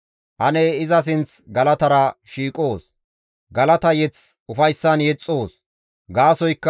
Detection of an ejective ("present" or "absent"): present